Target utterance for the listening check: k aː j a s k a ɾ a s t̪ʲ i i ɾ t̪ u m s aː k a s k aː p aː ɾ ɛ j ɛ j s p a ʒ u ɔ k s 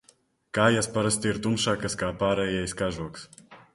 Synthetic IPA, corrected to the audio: k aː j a s p a ɾ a s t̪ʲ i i ɾ t̪ u m ʃ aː k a s k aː p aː ɾ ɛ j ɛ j s k a ʒ u ɔ k s